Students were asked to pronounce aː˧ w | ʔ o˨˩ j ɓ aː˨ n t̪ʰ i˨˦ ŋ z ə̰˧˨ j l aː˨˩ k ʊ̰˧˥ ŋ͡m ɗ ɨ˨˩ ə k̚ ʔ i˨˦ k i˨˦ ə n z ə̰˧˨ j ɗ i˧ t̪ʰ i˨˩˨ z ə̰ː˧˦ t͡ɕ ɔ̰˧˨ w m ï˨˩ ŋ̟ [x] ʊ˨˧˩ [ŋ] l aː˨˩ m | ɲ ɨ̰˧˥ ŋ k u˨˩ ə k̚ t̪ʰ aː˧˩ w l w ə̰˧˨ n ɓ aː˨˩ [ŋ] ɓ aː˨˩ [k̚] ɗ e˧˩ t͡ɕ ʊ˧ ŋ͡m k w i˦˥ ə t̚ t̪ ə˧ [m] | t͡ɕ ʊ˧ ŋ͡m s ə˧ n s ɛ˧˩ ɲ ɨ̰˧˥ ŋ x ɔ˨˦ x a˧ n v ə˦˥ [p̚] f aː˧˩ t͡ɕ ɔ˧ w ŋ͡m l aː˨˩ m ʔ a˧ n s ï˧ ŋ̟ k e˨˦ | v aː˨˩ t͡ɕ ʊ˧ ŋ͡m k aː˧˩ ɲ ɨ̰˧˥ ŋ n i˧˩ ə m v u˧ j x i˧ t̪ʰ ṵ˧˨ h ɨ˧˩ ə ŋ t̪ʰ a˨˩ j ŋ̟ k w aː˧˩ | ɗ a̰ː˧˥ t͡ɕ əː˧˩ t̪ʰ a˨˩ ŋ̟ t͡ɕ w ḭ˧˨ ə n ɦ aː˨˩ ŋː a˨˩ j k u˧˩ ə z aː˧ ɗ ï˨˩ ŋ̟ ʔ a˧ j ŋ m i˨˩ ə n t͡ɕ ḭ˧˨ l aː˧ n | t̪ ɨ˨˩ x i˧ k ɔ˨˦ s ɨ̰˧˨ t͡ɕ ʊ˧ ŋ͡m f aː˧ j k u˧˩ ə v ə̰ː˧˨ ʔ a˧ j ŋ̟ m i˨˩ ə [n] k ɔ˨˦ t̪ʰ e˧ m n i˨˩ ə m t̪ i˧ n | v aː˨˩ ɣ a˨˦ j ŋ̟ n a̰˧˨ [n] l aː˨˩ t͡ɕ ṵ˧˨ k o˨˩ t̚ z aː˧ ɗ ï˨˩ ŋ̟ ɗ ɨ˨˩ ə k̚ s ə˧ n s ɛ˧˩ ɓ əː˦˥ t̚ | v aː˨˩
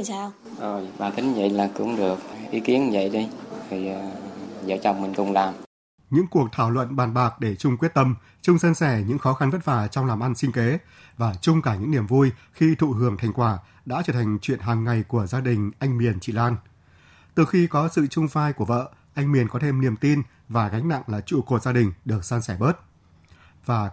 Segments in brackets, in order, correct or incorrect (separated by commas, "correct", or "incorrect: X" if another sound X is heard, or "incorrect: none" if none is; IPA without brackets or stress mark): incorrect: k, incorrect: ŋ͡m, incorrect: n, correct, correct, incorrect: t̚, correct, incorrect: ŋ